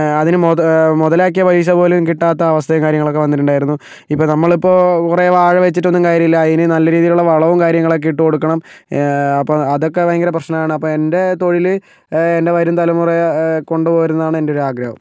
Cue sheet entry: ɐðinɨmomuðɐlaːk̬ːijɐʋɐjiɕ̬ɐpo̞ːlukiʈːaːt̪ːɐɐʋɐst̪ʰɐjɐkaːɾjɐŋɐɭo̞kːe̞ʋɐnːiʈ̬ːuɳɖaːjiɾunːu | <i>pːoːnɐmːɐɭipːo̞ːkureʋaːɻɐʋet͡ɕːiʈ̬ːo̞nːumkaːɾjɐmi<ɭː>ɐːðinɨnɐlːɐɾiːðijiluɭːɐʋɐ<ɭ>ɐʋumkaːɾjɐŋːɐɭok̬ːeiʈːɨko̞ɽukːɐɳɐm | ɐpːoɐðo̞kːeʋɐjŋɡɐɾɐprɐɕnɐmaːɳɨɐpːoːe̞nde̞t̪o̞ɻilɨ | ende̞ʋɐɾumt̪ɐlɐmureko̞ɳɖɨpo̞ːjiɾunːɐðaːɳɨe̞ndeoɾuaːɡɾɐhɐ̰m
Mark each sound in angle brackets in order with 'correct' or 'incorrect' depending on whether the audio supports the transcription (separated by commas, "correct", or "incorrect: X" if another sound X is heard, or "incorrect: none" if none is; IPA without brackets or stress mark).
correct, incorrect: lː, correct